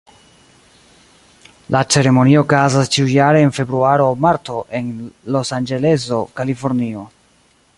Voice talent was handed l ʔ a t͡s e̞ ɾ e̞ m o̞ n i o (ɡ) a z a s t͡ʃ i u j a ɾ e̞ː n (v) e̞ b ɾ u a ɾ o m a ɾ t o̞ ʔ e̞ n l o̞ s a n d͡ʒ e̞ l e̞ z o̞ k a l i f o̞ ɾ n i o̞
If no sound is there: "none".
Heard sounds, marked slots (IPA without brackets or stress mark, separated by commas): k, f